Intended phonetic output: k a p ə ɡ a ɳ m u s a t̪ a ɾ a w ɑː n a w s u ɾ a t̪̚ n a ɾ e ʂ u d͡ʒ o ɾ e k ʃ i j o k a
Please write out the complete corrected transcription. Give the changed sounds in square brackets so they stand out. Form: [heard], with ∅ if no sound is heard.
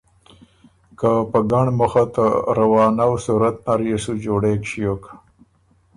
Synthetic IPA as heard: k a p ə ɡ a ɳ m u [x] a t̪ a ɾ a w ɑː n a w s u ɾ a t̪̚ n a ɾ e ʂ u d͡ʒ o [ɽ] e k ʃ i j o k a